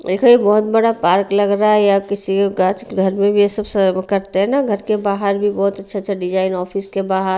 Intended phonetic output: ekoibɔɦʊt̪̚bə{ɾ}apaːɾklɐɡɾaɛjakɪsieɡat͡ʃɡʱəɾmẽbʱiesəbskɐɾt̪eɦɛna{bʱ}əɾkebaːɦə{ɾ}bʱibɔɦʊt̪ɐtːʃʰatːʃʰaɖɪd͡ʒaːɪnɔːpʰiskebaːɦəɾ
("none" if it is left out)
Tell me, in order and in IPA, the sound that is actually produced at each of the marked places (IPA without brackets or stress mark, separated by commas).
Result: ɽ, ɡʱ, ɾ